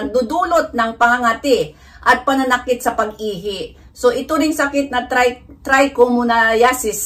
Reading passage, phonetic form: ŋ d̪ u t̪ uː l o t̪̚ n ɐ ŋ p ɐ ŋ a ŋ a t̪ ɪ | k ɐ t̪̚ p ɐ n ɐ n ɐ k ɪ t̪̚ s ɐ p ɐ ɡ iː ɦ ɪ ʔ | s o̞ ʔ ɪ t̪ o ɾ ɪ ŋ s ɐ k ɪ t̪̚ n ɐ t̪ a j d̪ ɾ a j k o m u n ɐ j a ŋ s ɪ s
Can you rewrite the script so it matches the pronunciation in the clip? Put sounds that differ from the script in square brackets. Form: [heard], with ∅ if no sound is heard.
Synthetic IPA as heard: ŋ d̪ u [d̪] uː l o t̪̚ n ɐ ŋ p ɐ ŋ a ŋ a t̪ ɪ | [ʔ] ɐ t̪̚ p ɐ n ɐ n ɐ k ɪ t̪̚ s ɐ p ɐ ɡ iː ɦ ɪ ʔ | s o̞ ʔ ɪ t̪ o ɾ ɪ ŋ s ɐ k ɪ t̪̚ n ɐ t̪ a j [t̪] ɾ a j k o m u n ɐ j a [∅] s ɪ s